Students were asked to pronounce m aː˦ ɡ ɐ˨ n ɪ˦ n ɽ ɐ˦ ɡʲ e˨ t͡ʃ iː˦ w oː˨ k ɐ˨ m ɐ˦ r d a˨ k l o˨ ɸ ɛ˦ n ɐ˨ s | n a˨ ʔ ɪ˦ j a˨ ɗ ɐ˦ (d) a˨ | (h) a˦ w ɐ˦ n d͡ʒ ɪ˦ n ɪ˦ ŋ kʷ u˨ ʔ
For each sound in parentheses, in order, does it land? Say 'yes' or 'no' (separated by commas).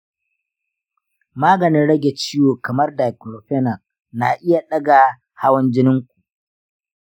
no, yes